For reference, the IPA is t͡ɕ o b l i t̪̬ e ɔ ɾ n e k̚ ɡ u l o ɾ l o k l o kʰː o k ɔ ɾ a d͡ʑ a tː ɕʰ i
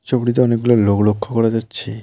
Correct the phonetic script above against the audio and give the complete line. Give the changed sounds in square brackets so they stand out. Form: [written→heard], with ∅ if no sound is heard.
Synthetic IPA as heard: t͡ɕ o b [l→ɽ] i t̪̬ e ɔ [ɾ→∅] n e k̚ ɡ u l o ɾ l o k l o kʰː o k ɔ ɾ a d͡ʑ a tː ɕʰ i